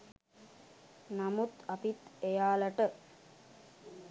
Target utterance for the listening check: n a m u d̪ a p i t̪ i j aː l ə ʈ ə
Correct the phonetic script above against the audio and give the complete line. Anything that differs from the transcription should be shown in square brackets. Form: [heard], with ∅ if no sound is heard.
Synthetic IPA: n a m u [t̪] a p i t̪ [e] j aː l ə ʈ ə